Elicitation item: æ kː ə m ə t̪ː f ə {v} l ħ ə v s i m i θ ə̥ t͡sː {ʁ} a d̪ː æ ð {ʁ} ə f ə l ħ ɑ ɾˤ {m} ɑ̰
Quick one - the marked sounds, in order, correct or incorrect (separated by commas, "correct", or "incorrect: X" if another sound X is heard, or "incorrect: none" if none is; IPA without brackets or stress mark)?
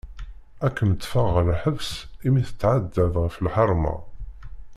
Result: incorrect: ʁ, incorrect: ʕ, correct, correct